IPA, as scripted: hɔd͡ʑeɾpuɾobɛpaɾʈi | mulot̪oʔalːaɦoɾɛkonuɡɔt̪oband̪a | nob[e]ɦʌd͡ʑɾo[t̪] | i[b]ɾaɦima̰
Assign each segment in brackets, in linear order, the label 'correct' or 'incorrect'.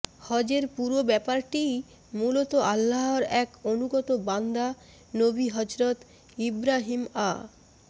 incorrect: i, correct, correct

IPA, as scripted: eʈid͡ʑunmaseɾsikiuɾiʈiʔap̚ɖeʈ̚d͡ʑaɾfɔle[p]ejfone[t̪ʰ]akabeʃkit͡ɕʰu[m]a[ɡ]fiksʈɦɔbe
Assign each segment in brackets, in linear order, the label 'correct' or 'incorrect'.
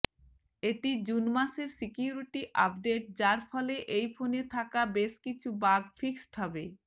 incorrect: ʔ, correct, incorrect: b, correct

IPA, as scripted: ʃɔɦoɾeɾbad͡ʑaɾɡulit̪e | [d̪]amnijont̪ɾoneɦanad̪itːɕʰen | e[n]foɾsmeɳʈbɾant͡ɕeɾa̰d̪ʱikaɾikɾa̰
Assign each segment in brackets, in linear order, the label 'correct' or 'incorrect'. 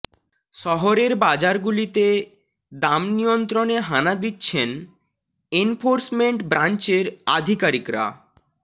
correct, correct

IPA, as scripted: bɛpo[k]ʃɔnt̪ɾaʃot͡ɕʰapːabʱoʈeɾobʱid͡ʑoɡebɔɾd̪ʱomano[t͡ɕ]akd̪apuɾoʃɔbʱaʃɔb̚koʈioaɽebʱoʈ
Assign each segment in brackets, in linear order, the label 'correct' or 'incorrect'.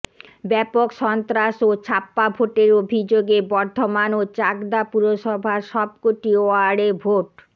correct, correct

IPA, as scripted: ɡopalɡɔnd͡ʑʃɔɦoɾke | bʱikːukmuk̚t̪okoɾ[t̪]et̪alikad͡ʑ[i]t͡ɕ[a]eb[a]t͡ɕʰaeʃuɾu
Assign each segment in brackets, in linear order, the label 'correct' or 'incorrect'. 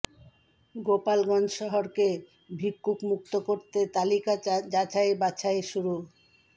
correct, incorrect: a, correct, correct

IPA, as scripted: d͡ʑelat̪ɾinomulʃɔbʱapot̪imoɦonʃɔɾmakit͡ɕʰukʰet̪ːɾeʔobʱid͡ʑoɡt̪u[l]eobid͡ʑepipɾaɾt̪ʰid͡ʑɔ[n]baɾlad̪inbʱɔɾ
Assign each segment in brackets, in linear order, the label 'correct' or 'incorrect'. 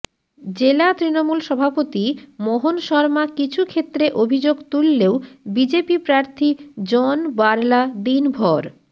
incorrect: lː, correct

